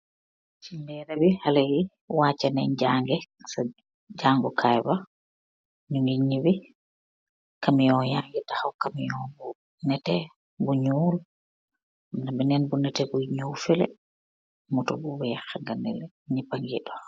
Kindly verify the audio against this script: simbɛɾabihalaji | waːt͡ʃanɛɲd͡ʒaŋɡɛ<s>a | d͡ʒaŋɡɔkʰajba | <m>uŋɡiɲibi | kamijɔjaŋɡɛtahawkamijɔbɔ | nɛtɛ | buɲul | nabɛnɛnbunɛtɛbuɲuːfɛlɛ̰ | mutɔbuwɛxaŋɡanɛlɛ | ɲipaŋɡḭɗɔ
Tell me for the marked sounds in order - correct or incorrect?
correct, incorrect: ɲ

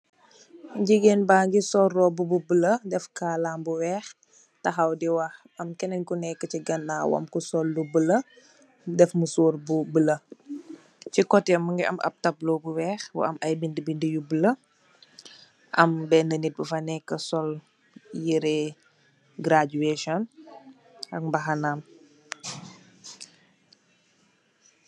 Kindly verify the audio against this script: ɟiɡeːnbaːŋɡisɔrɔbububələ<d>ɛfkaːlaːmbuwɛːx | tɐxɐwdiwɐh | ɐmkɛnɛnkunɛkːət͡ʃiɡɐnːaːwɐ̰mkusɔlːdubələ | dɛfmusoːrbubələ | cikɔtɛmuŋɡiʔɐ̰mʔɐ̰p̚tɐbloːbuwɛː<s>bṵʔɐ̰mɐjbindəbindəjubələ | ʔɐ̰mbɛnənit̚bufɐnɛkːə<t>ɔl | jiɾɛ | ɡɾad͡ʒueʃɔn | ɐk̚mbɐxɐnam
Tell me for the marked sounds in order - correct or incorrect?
correct, incorrect: x, incorrect: s

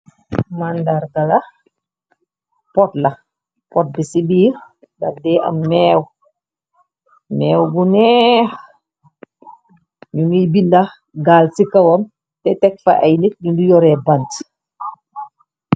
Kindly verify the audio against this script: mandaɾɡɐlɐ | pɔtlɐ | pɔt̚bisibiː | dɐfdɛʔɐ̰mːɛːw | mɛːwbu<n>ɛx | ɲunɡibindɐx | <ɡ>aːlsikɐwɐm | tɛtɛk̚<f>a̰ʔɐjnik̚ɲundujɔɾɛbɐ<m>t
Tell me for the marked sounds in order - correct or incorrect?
correct, correct, correct, incorrect: n

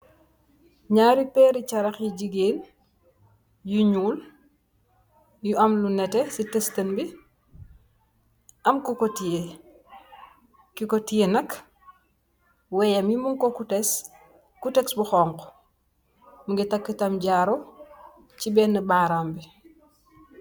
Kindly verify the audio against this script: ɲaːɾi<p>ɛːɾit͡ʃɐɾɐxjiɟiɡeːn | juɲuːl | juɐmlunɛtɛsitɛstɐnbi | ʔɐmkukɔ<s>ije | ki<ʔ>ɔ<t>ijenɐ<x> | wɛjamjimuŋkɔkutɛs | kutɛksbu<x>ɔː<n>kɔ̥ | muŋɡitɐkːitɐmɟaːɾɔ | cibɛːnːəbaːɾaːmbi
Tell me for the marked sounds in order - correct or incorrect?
correct, incorrect: t, incorrect: k, correct, incorrect: k, correct, incorrect: ŋ

